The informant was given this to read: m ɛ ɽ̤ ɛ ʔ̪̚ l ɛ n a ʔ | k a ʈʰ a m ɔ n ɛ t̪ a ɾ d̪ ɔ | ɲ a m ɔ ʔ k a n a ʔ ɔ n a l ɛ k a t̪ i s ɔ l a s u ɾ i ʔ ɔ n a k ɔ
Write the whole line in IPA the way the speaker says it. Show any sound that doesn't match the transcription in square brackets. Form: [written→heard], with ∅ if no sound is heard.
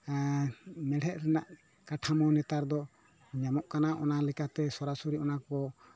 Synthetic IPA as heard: m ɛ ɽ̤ ɛ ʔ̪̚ [l→ɾ] ɛ n a ʔ | k a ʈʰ a m ɔ n ɛ t̪ a ɾ d̪ ɔ | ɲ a m ɔ ʔ k a n a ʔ ɔ n a l ɛ k a t̪ [i→ɛ] s ɔ [l→ɾ] a s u ɾ i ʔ ɔ n a k ɔ